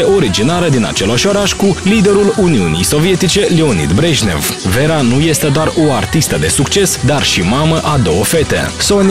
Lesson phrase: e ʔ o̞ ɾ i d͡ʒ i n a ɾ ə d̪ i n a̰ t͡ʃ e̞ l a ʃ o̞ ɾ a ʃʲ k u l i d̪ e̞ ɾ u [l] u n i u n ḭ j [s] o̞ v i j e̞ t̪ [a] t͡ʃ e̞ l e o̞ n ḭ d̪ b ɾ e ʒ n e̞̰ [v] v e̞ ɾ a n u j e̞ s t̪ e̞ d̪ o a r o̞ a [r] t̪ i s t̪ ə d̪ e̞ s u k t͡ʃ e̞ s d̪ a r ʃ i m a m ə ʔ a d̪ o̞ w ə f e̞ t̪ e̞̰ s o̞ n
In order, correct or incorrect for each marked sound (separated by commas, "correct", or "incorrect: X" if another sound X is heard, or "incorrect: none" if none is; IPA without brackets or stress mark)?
correct, correct, incorrect: i, correct, correct